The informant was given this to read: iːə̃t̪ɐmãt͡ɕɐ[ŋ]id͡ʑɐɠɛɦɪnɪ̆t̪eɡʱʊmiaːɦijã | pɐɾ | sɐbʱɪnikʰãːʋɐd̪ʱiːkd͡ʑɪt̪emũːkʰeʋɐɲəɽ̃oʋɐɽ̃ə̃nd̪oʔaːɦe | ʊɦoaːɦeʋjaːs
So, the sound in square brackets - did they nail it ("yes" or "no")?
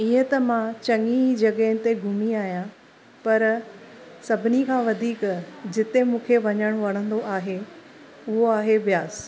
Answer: yes